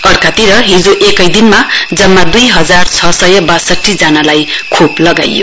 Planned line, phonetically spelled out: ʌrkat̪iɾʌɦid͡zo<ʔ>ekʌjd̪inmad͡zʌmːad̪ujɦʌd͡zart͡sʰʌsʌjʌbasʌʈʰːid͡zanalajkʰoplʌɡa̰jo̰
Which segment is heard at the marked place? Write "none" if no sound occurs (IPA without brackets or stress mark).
ʔ